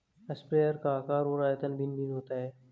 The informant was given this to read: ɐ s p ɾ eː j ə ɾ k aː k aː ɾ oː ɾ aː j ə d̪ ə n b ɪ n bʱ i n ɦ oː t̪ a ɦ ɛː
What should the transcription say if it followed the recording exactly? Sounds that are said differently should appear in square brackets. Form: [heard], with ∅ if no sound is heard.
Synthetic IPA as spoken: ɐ s p ɾ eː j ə ɾ k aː k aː ɾ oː ɾ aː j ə [t̪] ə n b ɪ n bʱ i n ɦ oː t̪ a ɦ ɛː